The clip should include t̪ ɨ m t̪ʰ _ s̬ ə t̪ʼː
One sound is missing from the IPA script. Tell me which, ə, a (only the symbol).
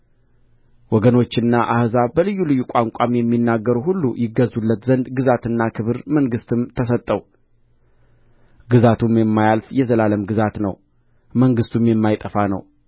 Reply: ə